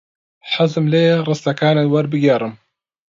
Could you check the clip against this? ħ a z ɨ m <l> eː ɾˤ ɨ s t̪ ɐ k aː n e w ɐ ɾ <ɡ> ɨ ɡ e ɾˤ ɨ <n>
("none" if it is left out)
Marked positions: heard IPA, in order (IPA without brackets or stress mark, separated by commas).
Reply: l, b, m